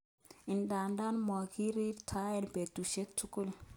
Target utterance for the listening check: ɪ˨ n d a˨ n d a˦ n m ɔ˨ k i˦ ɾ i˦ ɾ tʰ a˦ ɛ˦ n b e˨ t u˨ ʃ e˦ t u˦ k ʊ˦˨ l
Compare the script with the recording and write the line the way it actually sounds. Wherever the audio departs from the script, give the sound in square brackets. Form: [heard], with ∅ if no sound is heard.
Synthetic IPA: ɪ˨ n d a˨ n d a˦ n m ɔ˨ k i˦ ɾ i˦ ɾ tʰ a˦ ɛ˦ n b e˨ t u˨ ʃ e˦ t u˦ k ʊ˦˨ l